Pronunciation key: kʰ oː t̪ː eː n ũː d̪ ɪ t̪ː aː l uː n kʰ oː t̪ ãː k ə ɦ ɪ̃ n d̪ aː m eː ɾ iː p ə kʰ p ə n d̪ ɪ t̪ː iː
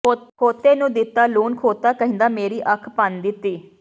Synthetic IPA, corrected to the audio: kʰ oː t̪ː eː n ũː d̪ ɪ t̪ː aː l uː n kʰ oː t̪ aː k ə ɦ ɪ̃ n d̪ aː m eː ɾ iː ʔ ə kʰ p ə n d̪ ɪ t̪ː iː